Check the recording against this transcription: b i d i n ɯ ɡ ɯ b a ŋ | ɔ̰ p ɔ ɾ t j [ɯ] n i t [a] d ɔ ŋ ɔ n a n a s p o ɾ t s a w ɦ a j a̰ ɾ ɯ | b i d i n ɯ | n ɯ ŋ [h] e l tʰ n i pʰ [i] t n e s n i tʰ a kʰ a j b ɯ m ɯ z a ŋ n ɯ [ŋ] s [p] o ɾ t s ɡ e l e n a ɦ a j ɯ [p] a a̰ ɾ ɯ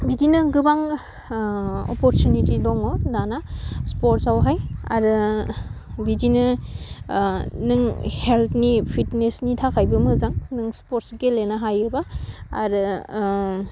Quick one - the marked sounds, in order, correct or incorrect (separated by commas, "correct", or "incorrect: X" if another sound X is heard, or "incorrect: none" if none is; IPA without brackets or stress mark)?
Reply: incorrect: u, incorrect: i, correct, correct, correct, correct, incorrect: b